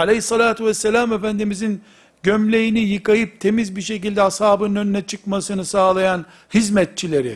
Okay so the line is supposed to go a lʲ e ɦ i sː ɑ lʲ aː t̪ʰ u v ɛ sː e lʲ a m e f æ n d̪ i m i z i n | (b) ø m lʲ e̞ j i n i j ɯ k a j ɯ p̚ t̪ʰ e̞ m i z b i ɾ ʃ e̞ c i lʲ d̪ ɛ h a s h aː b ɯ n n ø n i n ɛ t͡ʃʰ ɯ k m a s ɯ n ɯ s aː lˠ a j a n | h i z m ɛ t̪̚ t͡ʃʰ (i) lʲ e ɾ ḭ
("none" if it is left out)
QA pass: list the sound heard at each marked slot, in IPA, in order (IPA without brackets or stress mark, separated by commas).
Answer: ɟ, i